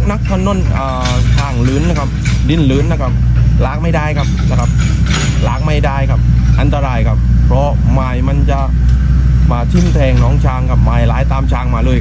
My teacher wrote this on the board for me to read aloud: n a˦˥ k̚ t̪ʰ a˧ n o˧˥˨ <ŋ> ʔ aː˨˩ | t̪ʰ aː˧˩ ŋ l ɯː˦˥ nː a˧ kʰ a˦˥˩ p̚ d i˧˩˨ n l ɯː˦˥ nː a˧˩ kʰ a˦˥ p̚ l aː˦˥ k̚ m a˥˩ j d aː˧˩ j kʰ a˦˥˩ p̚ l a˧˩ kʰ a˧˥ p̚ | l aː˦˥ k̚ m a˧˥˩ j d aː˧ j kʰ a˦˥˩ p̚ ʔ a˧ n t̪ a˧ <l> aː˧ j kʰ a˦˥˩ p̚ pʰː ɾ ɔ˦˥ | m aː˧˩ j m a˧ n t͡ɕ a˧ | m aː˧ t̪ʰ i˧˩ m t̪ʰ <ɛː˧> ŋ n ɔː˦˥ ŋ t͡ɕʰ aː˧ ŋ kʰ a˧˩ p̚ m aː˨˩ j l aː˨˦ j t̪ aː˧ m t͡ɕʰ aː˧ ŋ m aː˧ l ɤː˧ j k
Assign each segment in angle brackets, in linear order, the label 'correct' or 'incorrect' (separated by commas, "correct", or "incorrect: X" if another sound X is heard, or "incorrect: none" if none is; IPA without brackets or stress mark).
incorrect: n, incorrect: ɾ, correct